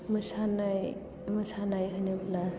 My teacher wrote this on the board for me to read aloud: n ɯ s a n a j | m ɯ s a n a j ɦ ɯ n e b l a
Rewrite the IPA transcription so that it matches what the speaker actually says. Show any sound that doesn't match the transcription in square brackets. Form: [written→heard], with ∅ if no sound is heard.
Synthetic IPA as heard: [n→m] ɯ s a n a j | m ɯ s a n a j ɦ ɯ n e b l a